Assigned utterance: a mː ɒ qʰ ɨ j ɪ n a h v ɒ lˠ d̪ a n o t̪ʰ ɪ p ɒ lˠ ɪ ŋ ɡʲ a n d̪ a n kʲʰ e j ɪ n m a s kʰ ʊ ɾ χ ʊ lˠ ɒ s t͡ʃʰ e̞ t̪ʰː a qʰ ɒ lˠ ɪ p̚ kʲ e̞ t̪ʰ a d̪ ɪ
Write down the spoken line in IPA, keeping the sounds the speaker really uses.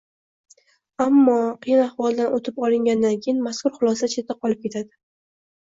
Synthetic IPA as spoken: a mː ɒ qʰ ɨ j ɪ n a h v ɒ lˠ d̪ a n o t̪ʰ ɪ p ɒ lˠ ɪ ŋ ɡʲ a n d̪ a n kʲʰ e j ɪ n m a s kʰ ʊ ɾ χ ʊ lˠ ɒ s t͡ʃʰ e̞ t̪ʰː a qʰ ɒ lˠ ɪ p̚ kʲ e̞ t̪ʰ a d̪ ɪ